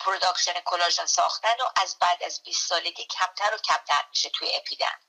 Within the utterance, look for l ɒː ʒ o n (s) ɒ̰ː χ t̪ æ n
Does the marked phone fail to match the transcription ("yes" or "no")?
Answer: no